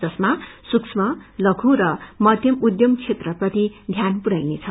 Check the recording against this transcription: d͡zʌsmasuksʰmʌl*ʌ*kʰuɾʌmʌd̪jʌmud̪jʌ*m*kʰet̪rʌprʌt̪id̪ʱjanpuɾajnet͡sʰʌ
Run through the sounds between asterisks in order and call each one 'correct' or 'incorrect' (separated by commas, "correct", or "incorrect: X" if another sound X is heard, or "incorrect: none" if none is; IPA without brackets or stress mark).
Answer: correct, correct